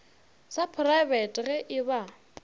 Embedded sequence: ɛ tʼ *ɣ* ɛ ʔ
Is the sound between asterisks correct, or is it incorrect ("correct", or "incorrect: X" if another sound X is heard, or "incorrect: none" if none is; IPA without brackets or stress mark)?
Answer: correct